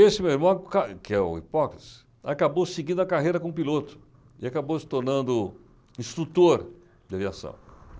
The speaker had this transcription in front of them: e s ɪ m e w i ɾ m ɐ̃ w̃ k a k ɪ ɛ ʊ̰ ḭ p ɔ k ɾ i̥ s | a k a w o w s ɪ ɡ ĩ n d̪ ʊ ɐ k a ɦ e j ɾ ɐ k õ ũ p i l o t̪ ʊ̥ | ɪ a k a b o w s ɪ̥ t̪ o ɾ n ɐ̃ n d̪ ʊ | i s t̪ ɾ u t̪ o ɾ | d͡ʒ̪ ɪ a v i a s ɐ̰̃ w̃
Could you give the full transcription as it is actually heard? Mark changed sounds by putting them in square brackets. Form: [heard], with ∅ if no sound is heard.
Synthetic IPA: e s ɪ m e w i ɾ m ɐ̃ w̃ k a k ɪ ɛ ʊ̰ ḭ p ɔ k ɾ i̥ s | a k a [b] o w s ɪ ɡ ĩ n d̪ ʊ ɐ k a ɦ e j ɾ ɐ k õ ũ p i l o t̪ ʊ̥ | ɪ a k a b o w s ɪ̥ t̪ o ɾ n ɐ̃ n d̪ ʊ | [ĩ] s t̪ ɾ u t̪ o ɾ | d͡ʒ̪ ɪ a v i a s ɐ̰̃ w̃